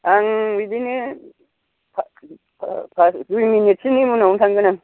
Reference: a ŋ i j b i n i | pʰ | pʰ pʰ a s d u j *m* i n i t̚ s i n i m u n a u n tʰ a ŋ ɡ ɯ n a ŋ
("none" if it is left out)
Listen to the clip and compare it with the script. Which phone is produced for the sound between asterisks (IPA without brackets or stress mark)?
m